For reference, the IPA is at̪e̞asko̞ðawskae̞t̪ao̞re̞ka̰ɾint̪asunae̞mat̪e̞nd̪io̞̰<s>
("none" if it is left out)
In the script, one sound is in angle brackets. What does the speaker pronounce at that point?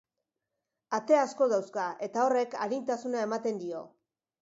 none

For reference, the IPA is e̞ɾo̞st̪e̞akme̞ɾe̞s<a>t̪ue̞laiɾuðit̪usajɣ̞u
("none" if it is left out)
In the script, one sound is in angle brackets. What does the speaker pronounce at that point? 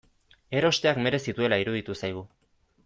i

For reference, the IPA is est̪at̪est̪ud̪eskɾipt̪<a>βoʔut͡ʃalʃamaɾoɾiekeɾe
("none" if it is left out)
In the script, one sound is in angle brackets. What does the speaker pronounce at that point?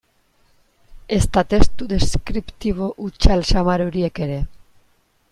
i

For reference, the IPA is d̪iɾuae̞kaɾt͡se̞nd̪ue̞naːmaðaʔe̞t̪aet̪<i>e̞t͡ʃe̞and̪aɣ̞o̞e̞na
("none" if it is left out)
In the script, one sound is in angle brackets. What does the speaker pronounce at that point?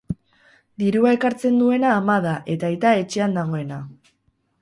a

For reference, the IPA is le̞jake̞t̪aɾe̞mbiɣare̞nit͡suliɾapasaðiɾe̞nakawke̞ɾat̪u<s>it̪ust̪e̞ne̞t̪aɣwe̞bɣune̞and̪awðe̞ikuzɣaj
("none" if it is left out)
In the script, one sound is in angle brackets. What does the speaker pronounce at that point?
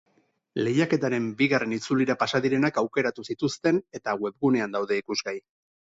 s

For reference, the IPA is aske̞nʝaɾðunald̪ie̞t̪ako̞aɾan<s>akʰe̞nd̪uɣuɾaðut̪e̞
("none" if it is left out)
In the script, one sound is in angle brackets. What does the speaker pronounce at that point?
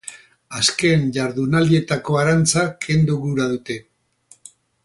t͡s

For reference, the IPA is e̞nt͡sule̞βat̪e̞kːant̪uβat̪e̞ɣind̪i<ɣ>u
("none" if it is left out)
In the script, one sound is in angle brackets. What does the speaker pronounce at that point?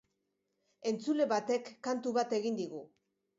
ɣ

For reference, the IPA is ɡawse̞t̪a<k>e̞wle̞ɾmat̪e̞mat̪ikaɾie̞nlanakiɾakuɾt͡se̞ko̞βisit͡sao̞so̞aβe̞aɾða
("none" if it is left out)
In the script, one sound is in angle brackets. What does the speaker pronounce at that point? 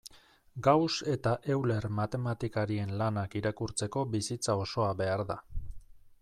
ʔ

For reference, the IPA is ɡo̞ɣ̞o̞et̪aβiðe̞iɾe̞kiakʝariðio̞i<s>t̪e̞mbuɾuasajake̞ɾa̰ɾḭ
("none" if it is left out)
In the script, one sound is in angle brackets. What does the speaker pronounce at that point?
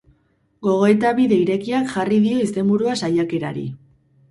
s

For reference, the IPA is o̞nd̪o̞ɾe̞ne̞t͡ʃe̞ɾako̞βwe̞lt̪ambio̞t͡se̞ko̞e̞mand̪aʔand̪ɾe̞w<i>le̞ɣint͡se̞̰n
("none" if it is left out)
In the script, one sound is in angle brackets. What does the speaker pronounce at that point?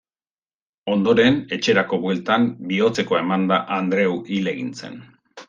i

